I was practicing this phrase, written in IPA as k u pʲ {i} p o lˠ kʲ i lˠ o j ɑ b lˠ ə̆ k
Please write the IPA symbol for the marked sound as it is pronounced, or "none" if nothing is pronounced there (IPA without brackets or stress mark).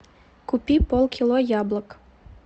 i